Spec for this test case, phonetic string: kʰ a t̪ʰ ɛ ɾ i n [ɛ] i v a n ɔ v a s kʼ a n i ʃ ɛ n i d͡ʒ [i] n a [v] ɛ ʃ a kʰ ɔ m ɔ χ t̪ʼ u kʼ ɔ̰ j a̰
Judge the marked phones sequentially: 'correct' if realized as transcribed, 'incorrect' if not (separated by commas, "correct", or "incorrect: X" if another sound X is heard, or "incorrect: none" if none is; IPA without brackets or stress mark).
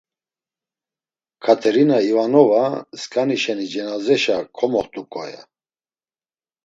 incorrect: a, incorrect: ɛ, incorrect: z